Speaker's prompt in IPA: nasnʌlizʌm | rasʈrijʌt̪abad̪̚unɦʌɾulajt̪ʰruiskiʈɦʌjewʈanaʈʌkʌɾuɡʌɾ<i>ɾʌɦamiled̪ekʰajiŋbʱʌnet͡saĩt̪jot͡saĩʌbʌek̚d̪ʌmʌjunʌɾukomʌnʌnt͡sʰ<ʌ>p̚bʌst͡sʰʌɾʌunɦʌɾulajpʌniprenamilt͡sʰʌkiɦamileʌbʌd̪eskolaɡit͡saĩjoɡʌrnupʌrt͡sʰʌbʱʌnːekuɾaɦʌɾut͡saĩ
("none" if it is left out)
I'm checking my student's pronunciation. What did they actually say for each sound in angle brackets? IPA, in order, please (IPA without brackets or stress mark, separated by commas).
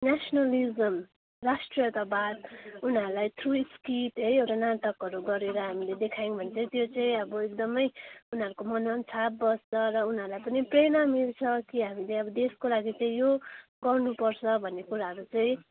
e, a